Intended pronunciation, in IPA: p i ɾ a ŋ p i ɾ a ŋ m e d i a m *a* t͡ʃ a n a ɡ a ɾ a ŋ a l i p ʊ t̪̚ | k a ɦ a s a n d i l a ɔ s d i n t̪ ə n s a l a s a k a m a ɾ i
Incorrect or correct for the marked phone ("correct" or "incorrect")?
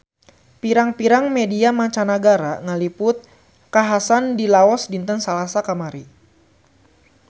correct